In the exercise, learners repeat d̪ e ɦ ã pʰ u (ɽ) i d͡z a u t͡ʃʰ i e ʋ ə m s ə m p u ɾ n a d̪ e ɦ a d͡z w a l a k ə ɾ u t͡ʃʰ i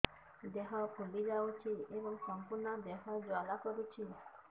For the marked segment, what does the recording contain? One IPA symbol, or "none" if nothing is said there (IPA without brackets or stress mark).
l